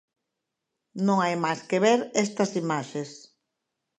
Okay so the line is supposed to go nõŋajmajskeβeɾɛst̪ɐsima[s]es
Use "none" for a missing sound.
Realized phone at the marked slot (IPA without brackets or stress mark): ʃ